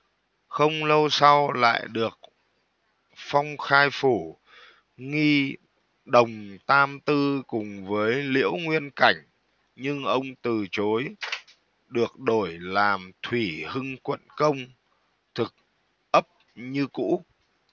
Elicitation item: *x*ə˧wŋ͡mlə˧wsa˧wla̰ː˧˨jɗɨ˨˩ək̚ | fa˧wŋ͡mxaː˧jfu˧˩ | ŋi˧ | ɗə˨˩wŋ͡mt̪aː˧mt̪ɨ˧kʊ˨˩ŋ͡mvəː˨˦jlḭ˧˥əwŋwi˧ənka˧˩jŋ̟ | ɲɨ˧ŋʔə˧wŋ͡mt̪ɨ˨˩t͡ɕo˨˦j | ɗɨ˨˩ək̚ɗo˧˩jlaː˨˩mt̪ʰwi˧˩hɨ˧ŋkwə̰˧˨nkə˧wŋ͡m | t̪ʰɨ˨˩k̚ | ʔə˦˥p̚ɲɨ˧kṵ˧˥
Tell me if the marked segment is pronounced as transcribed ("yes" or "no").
yes